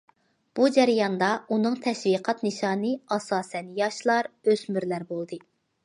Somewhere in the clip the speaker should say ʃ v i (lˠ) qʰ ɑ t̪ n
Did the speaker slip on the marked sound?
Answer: yes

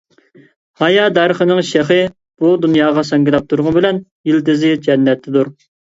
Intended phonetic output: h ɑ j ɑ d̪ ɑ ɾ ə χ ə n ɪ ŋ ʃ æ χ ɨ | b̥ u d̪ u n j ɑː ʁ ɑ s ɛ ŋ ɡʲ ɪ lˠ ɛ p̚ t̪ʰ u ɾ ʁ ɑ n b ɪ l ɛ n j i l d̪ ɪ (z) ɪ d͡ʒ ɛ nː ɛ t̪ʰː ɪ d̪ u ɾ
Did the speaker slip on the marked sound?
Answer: no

